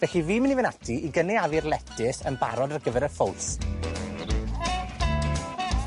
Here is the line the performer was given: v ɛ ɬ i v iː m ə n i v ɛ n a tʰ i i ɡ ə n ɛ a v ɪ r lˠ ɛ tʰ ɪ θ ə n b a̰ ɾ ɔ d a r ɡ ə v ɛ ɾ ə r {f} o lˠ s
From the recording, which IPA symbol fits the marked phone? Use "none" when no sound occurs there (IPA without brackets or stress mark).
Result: f